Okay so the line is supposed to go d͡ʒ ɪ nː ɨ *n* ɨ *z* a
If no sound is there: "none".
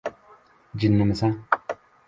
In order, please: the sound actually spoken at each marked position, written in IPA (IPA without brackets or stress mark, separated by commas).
m, s